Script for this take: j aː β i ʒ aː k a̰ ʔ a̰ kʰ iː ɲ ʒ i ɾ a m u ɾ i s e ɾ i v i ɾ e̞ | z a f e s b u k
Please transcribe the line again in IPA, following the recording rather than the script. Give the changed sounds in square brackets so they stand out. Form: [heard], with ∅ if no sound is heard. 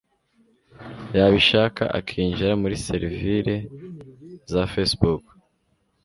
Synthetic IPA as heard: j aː β i [ʃ] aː k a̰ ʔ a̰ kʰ iː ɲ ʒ i ɾ a m u ɾ i s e ɾ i v i ɾ e̞ | z a f e s b u k